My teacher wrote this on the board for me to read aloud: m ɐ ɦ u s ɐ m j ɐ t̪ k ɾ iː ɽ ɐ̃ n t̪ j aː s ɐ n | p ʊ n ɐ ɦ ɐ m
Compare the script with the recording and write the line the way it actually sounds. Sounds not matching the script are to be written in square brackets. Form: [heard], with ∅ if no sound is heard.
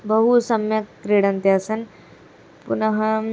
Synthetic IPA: [b] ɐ ɦ u s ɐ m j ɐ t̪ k ɾ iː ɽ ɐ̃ n t̪ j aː s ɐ n | p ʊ n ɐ ɦ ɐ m